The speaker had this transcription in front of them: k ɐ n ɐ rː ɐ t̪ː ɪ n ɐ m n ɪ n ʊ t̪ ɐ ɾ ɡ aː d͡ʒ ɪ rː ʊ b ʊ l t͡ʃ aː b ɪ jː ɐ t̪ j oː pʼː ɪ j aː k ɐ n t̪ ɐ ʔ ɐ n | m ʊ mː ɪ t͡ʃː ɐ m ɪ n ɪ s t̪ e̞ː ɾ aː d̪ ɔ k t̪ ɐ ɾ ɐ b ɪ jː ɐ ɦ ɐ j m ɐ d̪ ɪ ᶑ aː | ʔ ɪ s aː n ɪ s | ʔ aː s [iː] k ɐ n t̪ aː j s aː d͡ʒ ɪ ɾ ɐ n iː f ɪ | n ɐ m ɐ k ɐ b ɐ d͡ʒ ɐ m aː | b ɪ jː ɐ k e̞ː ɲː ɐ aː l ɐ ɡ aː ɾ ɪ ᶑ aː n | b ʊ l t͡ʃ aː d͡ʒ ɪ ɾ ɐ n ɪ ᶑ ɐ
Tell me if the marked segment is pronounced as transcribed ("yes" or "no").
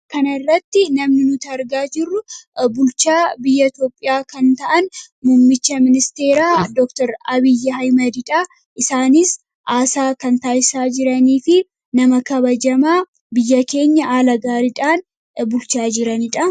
no